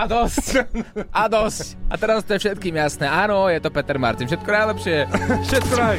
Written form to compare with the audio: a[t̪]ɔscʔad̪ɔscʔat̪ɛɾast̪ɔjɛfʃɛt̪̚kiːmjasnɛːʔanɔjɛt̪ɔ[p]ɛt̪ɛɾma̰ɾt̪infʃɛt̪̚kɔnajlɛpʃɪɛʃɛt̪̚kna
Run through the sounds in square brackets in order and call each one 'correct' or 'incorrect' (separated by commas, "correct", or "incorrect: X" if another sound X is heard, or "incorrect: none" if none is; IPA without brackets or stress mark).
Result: incorrect: d̪, correct